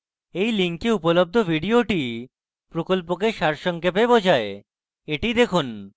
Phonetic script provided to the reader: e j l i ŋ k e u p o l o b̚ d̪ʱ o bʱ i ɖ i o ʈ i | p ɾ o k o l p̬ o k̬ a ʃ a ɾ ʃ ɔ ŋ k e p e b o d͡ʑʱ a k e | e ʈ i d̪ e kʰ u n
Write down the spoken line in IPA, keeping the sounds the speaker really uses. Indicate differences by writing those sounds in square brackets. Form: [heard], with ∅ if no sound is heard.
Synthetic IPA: e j l i ŋ k e u p o l o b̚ d̪ʱ o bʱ i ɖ i o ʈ i | p ɾ o k o l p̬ o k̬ [e] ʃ a ɾ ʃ ɔ ŋ k e p e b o d͡ʑʱ a [∅] e | e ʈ i d̪ e kʰ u n

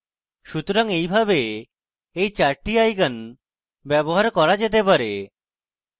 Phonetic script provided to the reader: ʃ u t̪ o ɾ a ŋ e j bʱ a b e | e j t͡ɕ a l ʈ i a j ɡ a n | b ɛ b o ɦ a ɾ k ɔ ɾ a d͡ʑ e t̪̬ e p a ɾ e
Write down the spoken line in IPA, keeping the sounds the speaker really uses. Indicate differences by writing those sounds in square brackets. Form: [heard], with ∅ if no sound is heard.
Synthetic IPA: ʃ u t̪ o ɾ a ŋ e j bʱ a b e | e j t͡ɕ a [ɾ] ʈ i a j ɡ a n | b ɛ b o ɦ a ɾ k ɔ ɾ a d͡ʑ e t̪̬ e p a ɾ e

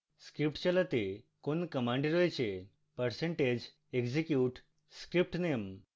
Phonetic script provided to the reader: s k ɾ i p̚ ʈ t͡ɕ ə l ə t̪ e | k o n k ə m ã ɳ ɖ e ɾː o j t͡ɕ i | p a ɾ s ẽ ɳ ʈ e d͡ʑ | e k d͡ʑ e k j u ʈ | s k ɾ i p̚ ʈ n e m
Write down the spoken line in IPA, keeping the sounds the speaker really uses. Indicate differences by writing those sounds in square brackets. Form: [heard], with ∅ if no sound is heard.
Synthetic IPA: s k ɾ i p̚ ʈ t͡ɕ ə l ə t̪ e | k o n k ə m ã ɳ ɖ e [ɾ] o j t͡ɕ [e] | p [ə] ɾ s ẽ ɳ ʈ e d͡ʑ | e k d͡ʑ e k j u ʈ | s k ɾ i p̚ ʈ n e m

